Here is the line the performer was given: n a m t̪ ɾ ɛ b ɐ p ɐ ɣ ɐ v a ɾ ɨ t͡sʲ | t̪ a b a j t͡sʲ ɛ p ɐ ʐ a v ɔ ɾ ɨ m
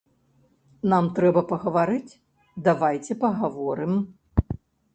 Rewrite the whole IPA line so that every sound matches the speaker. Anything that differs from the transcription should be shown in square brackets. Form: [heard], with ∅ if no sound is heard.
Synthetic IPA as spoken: n a m t̪ ɾ ɛ b ɐ p ɐ ɣ ɐ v a ɾ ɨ t͡sʲ | [d̪] a [v] a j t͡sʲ ɛ p ɐ [ɣ] a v ɔ ɾ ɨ m